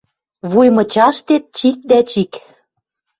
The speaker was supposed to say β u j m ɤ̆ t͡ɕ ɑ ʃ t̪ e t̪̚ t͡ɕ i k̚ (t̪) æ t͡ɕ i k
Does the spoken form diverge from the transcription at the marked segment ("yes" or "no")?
yes